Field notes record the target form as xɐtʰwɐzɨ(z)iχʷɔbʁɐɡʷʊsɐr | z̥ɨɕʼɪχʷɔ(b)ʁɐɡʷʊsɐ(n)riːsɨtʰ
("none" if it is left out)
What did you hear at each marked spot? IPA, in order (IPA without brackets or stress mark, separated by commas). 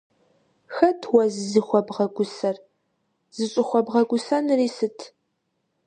z, b, n